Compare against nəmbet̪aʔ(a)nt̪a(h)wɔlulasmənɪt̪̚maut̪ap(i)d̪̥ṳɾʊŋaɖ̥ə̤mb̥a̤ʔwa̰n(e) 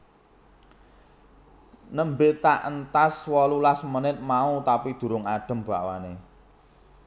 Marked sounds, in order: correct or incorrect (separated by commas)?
incorrect, incorrect, correct, correct